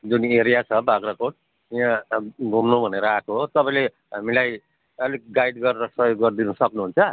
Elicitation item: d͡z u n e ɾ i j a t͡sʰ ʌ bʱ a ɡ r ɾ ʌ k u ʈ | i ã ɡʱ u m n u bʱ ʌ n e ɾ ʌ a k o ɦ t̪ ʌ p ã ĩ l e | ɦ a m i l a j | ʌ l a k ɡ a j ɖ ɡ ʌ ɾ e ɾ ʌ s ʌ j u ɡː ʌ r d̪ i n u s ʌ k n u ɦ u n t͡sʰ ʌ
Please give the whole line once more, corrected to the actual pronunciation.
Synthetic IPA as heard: d͡z u n e ɾ i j a t͡sʰ ʌ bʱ a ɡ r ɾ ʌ k o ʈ | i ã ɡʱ u m n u bʱ ʌ n e ɾ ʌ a k o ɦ t̪ ʌ p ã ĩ l e | ɦ a m i l a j | ʌ l i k ɡ a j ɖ ɡ ʌ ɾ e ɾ ʌ s ʌ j o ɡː ʌ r d̪ i n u s ʌ k n u ɦ u n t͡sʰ ʌ